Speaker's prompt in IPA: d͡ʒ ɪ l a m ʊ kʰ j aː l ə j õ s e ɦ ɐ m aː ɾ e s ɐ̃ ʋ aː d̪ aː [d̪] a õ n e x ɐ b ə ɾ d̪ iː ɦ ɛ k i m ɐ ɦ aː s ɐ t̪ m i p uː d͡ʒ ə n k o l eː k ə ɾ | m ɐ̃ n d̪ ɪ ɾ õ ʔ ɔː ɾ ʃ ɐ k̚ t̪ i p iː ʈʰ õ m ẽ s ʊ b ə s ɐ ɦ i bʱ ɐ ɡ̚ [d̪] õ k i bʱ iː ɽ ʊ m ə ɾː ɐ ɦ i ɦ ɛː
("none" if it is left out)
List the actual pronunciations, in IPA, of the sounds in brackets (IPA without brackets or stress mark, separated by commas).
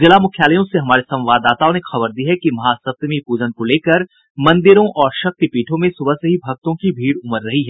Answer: t̪, t̪